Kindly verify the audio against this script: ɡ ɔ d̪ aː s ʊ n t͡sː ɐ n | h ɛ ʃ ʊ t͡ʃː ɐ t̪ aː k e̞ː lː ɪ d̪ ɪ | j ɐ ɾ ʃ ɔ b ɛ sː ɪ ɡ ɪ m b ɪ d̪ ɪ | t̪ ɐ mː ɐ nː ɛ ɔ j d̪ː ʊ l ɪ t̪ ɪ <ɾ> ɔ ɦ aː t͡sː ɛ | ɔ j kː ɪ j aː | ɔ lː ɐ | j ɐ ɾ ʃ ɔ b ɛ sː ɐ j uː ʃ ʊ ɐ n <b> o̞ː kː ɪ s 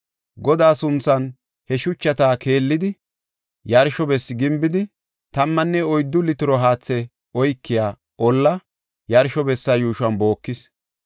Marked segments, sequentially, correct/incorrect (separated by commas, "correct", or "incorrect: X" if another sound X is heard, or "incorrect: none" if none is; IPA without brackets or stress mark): correct, correct